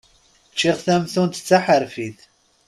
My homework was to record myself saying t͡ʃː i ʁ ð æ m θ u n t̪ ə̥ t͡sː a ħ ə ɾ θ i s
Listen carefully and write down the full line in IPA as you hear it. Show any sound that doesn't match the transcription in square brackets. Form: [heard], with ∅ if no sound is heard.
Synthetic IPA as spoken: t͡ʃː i ʁ [θ] æ m θ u n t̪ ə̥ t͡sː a ħ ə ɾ [f] i [θ]